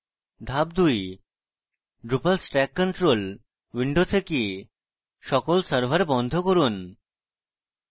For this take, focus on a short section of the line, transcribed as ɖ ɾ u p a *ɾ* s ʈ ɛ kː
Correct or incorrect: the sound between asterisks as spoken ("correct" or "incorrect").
incorrect